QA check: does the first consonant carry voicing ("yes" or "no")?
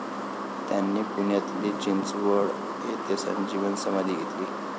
no